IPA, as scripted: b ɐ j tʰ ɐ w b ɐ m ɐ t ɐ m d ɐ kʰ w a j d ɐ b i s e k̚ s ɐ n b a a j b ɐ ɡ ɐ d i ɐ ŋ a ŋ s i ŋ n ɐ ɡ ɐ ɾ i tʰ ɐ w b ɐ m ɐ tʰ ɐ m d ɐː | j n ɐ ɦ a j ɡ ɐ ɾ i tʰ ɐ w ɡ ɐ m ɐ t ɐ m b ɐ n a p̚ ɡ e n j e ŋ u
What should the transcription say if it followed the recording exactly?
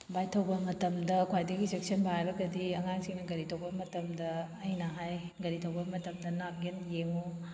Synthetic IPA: b a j tʰ ɐ w b ɐ m ɐ t ɐ m d ɐ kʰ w a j d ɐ ɡ i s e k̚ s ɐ n b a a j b ɐ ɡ ɐ d i ɐ ŋ a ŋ s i ŋ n ɐ ɡ ɐ ɾ i tʰ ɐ w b ɐ m ɐ t ɐ m d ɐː | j n ɐ ɦ a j ɡ ɐ ɾ i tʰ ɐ w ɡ ɐ m ɐ t ɐ m d ɐ n a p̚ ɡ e n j e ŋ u